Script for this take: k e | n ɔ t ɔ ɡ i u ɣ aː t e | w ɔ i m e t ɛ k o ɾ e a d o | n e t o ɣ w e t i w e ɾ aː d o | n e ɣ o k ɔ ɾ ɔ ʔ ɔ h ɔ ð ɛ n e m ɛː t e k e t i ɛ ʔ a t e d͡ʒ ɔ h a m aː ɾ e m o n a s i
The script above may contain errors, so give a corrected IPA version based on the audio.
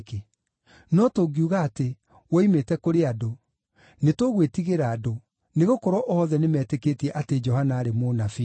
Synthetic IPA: k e | n ɔ t o ɡ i u ɣ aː t e | w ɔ i m e t ɛ k o ɾ e a d o | n e t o ɣ w e t i ɣ e ɾ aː d o | n e ɣ o k ɔ ɾ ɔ ʔ ɔ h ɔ ð ɛ n e m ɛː t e k e t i ɛ ʔ a t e d͡ʒ ɔ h a n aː ɾ e m o n a f i

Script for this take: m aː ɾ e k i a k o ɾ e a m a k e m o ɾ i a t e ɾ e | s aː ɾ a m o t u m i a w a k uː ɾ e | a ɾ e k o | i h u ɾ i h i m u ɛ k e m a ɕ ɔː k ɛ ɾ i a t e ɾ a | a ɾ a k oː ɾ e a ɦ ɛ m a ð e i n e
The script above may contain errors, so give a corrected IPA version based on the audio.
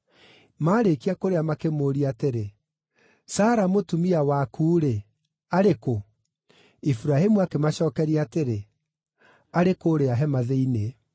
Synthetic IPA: m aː ɾ e k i a k o ɾ e a m a k e m o ɾ i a t e ɾ e | s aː ɾ a m o t u m i a w a k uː ɾ e | a ɾ e k o | i f u ɾ a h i m u a k e m a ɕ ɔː k ɛ ɾ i a t e ɾ e | a ɾ e k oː ɾ e a ɦ ɛ m a ð e i n e

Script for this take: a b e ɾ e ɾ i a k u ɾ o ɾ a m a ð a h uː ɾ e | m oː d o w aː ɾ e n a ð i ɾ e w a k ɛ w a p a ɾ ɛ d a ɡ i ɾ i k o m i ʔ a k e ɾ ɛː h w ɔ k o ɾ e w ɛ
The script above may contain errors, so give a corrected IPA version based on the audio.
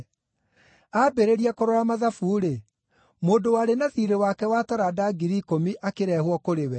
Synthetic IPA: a b e ɾ e ɾ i a k o ɾ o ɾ a m a ð a f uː ɾ e | m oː d o w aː ɾ e n a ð i ɾ e w a k ɛ w a t a ɾ a d a ɡ i ɾ i k o m i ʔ a k e ɾ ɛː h w ɔ k o ɾ e w ɛ

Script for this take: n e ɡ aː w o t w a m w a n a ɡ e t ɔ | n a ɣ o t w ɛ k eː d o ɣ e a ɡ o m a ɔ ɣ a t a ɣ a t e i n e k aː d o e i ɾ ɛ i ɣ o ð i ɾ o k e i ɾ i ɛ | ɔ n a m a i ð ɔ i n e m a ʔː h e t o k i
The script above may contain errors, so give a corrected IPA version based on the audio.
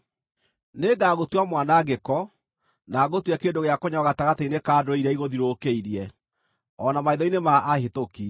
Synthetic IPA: n e ɡ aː ɣ o t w a m w a n a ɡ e k ɔ | n a ɣ o t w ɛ k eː d o ɣ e a k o ɲ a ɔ ɣ a t a ɣ a t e i n e k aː d o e i ɾ ɛ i ɣ o ð i ɾ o k e i ɾ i ɛ | ɔ n a m a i ð ɔ i n e m a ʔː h e t o k i

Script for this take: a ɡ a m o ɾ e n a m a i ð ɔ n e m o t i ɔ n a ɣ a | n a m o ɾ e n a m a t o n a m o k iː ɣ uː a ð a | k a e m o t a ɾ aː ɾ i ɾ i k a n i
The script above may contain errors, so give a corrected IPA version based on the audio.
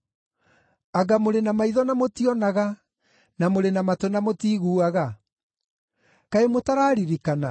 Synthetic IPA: a ɡ a m o ɾ e n a m a i ð ɔ n a m o t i ɔ n a ɣ a | n a m o ɾ e n a m a t o n a m o t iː ɣ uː a ɣ a | k a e m o t a ɾ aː ɾ i ɾ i k a n a

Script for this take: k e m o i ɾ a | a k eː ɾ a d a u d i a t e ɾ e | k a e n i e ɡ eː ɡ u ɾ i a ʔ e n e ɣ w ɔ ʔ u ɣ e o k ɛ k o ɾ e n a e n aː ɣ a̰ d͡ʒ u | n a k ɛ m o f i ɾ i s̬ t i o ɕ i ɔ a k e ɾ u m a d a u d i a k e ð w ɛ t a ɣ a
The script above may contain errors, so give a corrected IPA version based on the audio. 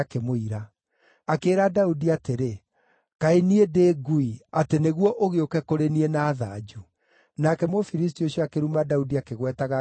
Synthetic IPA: k e m o i ɾ a | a k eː ɾ a d a u d i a t e ɾ e | k a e n i e d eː ɡ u i a t e n e ɣ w ɔ ʔ o ɣ e o k ɛ k o ɾ e n i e n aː ð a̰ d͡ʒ u | n a k ɛ m o f i ɾ i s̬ t i o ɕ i ɔ a k e ɾ u m a d a u d i a k e ɣ w ɛ t a ɣ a

